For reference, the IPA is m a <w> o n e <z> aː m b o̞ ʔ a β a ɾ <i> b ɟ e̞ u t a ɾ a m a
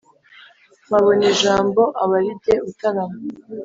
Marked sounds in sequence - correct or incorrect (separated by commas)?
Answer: incorrect, incorrect, correct